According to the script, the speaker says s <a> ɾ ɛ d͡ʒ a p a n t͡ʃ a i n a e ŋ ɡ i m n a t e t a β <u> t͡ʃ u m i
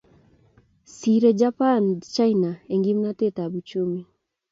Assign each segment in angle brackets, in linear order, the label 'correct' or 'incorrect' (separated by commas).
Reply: incorrect, correct